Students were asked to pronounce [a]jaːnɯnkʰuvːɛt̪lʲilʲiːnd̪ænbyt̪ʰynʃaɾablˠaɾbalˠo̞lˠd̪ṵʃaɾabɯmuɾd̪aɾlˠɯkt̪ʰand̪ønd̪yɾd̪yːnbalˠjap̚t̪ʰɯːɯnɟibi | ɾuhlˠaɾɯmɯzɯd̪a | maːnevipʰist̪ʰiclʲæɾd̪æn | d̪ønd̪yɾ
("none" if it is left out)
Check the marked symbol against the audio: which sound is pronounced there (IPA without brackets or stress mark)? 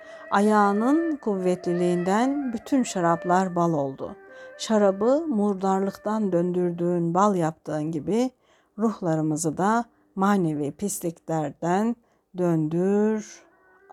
a